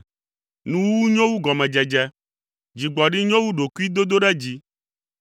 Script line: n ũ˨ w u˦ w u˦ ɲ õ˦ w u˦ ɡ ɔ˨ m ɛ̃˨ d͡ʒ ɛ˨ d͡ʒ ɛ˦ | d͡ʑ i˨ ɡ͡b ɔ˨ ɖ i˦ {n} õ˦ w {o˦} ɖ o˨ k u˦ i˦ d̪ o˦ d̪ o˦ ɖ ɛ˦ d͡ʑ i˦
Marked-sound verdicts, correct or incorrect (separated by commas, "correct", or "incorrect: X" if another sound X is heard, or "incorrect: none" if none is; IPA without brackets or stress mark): incorrect: ɲ, incorrect: u˦